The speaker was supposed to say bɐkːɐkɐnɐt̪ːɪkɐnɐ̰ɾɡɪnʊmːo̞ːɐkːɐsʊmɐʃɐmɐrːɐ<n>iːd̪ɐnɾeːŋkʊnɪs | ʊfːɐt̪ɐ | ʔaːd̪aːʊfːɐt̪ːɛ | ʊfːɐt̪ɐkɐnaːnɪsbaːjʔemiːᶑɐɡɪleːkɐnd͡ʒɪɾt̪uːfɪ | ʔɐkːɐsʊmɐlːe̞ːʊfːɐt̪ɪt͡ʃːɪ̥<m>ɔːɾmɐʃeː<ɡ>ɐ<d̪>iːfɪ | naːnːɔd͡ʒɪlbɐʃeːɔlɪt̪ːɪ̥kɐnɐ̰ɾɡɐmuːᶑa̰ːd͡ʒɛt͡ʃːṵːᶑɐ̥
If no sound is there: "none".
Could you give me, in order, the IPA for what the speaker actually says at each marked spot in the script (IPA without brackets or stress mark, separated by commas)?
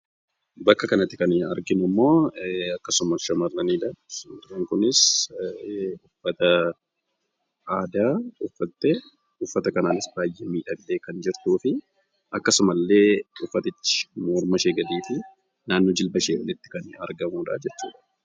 n, m, ɡ, d̪